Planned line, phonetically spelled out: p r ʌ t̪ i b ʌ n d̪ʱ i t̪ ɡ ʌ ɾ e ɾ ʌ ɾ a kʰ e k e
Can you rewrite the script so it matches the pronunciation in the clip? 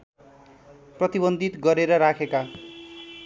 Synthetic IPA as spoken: p r ʌ t̪ i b ʌ n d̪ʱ i t̪ ɡ ʌ ɾ e ɾ ʌ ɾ a kʰ e k a